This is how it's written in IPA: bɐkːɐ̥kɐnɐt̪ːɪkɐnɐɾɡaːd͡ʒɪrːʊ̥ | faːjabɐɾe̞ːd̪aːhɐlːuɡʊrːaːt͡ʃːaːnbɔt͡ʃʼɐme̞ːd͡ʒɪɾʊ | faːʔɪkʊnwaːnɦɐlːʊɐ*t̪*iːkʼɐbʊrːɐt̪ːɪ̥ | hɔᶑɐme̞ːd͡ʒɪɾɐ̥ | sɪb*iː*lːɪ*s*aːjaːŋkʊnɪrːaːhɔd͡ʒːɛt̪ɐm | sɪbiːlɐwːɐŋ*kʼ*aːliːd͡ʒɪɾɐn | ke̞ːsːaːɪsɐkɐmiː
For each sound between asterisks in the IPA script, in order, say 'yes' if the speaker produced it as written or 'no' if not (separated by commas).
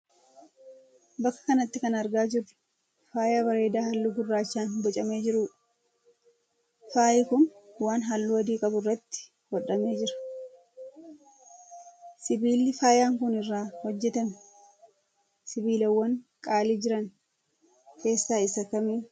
no, yes, no, yes